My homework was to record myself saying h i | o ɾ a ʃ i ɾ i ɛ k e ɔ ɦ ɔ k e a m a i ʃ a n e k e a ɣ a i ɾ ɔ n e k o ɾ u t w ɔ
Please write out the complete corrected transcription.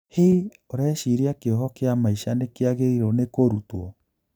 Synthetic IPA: h i | o ɾ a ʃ i ɾ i a k e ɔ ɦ ɔ k e a m a i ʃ a n e k e a ɣ e i ɾ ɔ n e k o ɾ u t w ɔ